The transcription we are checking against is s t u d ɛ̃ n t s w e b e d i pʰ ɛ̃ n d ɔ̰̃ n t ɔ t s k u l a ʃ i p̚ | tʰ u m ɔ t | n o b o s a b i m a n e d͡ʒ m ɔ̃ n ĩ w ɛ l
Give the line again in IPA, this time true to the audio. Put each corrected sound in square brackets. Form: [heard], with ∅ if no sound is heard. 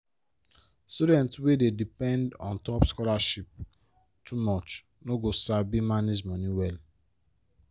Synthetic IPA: s t u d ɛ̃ n t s w e [d] e d i [p] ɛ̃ n d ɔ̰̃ n t ɔ [p] s k [ɔ] l a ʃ i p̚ | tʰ u m ɔ [t͡ʃ] | n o [ɡ] o s a b i m a n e d͡ʒ m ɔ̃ n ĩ w ɛ l